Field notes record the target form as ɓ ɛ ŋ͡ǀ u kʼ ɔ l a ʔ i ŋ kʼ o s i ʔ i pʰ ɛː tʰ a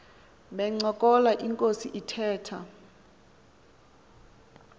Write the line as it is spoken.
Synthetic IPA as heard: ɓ ɛ ŋ͡ǀ ɔ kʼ ɔ l a ʔ i ŋ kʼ o s i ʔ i tʰ ɛː tʰ a